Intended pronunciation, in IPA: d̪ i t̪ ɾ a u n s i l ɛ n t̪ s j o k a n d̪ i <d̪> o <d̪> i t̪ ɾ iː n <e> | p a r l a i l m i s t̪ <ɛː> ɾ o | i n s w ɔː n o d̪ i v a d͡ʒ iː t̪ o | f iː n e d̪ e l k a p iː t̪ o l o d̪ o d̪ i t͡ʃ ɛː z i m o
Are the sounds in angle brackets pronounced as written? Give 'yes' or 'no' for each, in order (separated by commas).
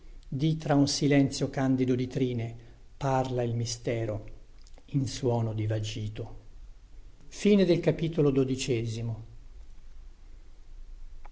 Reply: yes, yes, yes, yes